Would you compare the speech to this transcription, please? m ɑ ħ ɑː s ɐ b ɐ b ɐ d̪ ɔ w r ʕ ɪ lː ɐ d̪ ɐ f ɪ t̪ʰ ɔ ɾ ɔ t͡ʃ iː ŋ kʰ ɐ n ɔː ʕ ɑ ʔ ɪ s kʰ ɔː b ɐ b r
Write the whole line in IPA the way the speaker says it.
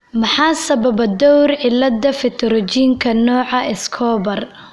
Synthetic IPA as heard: m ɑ ħ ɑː s ɐ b ɐ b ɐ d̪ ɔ w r ʕ ɪ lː ɐ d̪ ɐ f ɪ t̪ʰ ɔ ɾ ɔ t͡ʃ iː ŋ kʰ ɐ n ɔː ʕ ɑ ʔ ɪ s kʰ ɔː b ɐ r